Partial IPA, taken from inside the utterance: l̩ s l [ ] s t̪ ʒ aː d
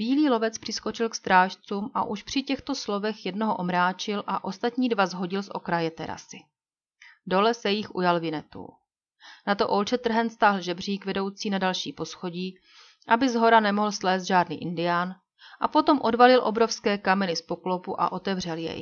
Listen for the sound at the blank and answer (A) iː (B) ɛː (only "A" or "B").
B